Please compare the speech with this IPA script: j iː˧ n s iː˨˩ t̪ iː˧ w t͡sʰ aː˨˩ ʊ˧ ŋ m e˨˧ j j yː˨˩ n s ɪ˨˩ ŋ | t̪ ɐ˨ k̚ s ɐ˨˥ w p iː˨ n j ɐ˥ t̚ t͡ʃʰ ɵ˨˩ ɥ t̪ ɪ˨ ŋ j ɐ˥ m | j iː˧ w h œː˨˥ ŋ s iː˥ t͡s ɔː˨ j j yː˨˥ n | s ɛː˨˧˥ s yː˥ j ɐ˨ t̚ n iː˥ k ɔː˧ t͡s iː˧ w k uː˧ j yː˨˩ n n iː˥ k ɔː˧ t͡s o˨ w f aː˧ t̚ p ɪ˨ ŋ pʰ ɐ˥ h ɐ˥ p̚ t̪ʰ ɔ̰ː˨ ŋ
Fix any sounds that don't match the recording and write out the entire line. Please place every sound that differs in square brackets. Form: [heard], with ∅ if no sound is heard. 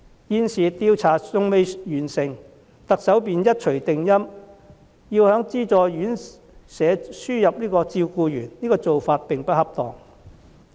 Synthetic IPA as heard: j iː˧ n s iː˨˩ t̪ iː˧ w t͡sʰ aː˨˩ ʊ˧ ŋ m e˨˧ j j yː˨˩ n s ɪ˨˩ ŋ | t̪ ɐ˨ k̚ s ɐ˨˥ w p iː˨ n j ɐ˥ t̚ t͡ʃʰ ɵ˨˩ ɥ t̪ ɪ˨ ŋ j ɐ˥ m | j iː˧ w h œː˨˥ ŋ [t͡s] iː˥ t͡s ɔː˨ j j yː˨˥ n | s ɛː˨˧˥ s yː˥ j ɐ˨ [p̚] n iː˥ k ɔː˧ t͡s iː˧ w k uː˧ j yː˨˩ n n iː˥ k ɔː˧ t͡s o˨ w f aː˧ t̚ p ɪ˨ ŋ [p] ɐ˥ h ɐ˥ p̚ [t̪] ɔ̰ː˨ ŋ